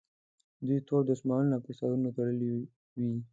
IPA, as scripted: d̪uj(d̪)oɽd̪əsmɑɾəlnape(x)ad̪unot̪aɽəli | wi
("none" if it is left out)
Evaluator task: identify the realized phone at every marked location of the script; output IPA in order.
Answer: t̪, s

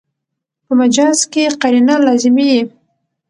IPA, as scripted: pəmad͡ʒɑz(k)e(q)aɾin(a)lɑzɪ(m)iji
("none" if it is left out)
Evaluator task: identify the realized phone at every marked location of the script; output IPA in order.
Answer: k, q, a, m

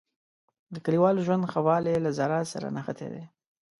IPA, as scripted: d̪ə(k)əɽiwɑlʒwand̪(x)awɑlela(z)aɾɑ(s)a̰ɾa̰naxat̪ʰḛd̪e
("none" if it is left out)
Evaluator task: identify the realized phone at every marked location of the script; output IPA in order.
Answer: k, x, z, s

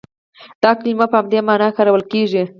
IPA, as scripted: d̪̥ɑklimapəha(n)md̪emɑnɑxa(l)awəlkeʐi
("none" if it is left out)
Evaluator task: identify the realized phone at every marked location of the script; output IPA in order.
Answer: none, ɾ

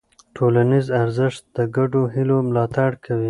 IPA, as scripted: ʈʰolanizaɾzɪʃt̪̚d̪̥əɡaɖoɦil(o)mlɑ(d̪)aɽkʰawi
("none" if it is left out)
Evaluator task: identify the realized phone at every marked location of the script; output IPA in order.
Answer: o, t̪

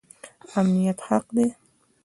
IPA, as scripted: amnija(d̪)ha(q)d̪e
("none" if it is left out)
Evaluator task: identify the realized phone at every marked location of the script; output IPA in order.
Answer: t̪, q

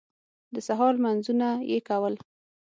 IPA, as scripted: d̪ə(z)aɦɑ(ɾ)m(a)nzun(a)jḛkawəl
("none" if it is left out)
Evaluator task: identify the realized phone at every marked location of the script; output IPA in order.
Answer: s, l, a, a

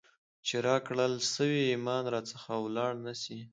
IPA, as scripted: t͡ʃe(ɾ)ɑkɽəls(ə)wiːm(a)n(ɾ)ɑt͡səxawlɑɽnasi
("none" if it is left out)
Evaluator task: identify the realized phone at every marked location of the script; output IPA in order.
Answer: ɾ, ə, ɑ, ɾ

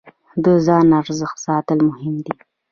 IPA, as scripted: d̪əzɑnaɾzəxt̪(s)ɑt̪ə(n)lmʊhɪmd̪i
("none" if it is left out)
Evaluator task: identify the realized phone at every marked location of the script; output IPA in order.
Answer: s, none

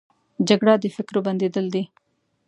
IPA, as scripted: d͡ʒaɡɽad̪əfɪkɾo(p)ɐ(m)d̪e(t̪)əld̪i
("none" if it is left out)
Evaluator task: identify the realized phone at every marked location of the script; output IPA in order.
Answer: b, n, d̪

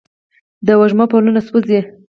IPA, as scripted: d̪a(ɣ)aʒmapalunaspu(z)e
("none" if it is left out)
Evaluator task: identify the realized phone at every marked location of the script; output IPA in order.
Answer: w, z

